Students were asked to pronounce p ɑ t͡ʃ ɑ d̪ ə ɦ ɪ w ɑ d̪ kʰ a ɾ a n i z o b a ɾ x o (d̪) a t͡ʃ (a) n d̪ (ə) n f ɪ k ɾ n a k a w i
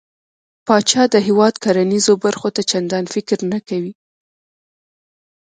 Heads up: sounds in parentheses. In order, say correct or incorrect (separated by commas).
incorrect, correct, incorrect